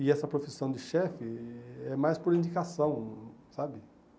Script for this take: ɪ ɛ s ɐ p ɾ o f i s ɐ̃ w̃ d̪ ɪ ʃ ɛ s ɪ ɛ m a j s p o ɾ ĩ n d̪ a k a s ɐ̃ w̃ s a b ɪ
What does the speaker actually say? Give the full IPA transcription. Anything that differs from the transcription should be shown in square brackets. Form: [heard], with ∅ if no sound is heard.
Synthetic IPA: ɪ ɛ s ɐ p ɾ o f i s ɐ̃ w̃ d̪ ɪ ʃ ɛ [f] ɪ ɛ m a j s p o ɾ ĩ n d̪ [i] k a s ɐ̃ w̃ s a b ɪ